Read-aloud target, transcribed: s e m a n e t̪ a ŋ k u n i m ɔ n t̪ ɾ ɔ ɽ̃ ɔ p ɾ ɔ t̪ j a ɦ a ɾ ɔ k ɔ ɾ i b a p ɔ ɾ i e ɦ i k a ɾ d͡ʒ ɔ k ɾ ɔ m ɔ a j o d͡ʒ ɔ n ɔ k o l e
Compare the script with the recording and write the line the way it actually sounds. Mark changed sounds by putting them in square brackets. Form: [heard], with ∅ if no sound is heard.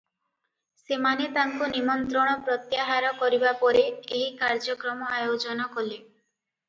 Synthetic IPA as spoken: s e m a n e t̪ a ŋ k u n i m ɔ n t̪ ɾ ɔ ɽ̃ ɔ p ɾ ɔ t̪ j a ɦ a ɾ ɔ k ɔ ɾ i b a p ɔ ɾ [e] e ɦ i k a ɾ d͡ʒ ɔ k ɾ ɔ m ɔ a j o d͡ʒ ɔ n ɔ k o l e

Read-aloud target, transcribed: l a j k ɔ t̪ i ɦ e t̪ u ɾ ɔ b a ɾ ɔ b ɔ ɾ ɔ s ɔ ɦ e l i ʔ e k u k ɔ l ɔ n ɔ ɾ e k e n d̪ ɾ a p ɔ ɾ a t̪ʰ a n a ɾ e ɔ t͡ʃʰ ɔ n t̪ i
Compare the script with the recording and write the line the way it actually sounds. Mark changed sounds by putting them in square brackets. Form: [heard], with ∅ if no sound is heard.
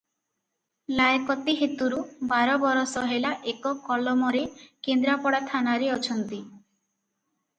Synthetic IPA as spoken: l a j k ɔ t̪ i ɦ e t̪ u ɾ [u] b a ɾ ɔ b ɔ ɾ ɔ s ɔ ɦ e l [a] ʔ e k [ɔ] k ɔ l ɔ [m] ɔ ɾ e k e n d̪ ɾ a p ɔ [ɽ] a t̪ʰ a n a ɾ e ɔ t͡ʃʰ ɔ n t̪ i

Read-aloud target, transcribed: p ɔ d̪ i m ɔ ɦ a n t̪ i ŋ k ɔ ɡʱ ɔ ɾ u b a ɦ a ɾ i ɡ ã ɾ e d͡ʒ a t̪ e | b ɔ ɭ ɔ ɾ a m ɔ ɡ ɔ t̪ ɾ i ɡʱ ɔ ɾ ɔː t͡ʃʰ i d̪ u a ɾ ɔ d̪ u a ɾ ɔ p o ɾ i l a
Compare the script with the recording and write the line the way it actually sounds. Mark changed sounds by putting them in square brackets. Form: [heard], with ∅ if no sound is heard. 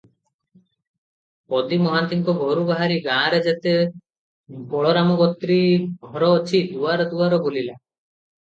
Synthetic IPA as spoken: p ɔ d̪ i m ɔ ɦ a n t̪ i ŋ k ɔ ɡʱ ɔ ɾ u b a ɦ a ɾ i ɡ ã ɾ e d͡ʒ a t̪ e | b ɔ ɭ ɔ ɾ a m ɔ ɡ ɔ t̪ ɾ i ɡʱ ɔ ɾ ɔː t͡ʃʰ i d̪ u a ɾ ɔ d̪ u a ɾ ɔ [b] o [l] i l a

